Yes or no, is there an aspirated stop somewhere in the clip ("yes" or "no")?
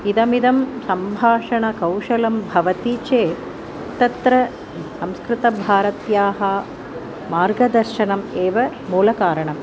no